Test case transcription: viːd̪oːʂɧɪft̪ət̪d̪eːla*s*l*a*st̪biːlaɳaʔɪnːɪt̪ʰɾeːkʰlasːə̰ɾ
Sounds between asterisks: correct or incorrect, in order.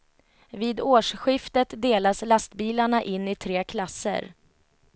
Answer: correct, correct

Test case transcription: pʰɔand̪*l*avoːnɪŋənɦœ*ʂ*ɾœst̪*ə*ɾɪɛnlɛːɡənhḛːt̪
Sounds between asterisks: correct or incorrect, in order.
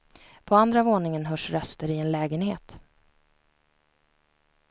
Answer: incorrect, correct, correct

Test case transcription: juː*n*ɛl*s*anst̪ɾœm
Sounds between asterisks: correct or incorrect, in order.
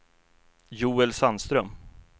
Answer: incorrect, correct

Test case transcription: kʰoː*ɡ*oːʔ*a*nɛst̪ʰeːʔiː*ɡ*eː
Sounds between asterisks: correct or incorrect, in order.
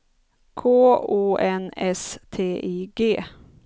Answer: incorrect, incorrect, correct

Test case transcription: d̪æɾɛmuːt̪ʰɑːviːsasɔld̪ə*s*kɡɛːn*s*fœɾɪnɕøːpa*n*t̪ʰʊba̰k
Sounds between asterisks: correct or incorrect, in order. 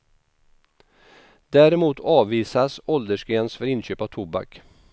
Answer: incorrect, correct, incorrect

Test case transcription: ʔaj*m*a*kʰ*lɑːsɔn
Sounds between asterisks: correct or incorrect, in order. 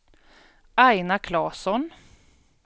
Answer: incorrect, correct

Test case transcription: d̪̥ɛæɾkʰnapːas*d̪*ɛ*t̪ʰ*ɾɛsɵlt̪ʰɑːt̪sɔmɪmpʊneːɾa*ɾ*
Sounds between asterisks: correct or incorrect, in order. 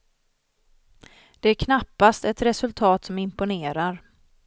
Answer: incorrect, incorrect, correct

